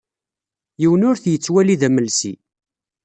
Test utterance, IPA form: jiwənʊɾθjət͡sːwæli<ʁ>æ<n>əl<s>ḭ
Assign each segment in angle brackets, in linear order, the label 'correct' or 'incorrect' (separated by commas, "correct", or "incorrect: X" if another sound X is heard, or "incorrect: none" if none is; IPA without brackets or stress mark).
incorrect: ð, incorrect: m, correct